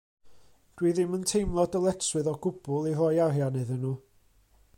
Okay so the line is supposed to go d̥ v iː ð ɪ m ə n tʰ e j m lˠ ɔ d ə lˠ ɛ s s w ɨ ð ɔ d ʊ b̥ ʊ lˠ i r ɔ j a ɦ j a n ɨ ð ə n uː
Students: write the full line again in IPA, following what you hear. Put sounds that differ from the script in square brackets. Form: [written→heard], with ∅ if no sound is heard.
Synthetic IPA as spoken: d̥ [v→w] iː ð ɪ m ə n tʰ e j m lˠ ɔ d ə lˠ ɛ [s→t] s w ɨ ð ɔ [d→ɡ] ʊ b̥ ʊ lˠ i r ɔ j a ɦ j a n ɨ ð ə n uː

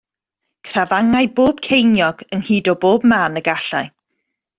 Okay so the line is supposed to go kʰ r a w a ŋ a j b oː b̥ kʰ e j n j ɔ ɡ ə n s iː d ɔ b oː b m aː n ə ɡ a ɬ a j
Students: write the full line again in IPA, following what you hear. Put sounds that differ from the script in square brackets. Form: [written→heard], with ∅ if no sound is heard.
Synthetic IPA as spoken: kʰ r a [w→v] a ŋ a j b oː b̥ kʰ e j n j ɔ ɡ ə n [s→h] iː d ɔ b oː b m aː n ə ɡ a ɬ a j

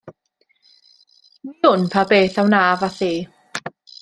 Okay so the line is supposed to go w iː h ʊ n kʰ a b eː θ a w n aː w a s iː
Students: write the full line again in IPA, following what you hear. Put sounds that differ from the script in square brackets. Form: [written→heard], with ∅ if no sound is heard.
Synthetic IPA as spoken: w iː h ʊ n [kʰ→pʰ] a b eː θ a w n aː [w→v] a [s→θ] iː

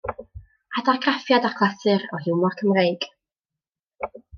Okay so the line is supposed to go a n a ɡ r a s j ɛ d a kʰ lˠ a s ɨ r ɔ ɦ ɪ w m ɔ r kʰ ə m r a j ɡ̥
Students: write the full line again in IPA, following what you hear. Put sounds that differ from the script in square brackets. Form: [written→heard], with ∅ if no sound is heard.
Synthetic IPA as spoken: a [n→d] a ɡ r a [s→f] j [ɛ→a] d a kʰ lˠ a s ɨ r ɔ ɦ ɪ w m ɔ r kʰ ə m r [a→e] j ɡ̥

